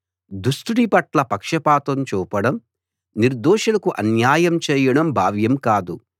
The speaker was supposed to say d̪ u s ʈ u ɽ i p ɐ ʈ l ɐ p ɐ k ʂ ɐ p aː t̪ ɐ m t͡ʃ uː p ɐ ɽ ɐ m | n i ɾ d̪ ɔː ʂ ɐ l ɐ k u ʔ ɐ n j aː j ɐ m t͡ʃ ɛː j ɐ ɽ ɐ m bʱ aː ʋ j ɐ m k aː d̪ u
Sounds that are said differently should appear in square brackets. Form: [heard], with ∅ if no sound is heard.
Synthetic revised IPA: d̪ u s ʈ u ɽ i p ɐ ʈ l ɐ p ɐ k ʂ ɐ p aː t̪ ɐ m t͡ʃ uː p ɐ ɽ ɐ m | n i ɾ d̪ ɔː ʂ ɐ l ɐ k u ʔ ɐ n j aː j ɐ m t͡ʃ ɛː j ɐ ɽ ɐ m bʱ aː ʋ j ɐ m k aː d̪ u